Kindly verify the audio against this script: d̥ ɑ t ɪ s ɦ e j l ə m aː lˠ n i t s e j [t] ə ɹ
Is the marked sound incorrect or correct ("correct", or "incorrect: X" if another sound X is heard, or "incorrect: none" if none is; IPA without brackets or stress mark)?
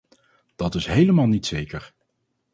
incorrect: k